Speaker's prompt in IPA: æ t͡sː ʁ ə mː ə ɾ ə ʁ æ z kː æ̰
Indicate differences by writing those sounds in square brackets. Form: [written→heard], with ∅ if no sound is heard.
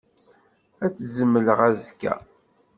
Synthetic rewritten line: æ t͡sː [ʁ→z] ə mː ə [ɾ→l] ə ʁ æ z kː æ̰